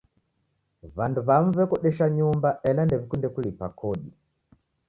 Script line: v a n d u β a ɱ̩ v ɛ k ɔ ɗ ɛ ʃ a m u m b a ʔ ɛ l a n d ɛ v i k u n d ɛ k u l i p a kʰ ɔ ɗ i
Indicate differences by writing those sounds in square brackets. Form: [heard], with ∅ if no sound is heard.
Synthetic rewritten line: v a n d u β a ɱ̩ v ɛ k ɔ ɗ ɛ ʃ a [ɲ] u m b a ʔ ɛ l a n d ɛ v i k u n d ɛ k u l i p a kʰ ɔ ɗ i